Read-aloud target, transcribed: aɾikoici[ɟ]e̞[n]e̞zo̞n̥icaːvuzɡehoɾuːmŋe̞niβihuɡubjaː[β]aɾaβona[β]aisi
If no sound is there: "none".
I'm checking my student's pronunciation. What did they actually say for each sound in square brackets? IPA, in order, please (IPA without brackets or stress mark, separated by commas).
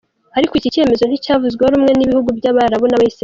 c, m, β, β